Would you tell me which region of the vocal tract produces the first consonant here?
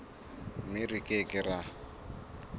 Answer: lips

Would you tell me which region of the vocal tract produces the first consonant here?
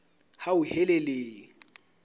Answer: throat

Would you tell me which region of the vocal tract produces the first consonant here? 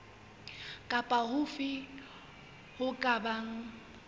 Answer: velum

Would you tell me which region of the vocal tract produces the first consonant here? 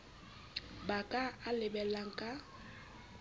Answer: lips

